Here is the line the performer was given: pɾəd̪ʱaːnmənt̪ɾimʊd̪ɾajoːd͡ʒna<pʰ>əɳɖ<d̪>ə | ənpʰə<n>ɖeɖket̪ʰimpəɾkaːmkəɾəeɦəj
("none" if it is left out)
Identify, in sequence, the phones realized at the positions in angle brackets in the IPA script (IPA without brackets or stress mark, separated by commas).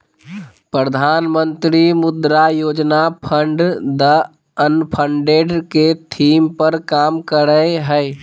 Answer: pʰ, d̪, ɳ